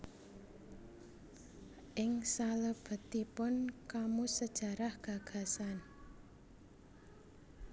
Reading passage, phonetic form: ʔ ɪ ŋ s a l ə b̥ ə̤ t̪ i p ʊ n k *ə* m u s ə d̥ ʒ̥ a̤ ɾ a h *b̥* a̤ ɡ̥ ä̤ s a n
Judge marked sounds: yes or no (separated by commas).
no, no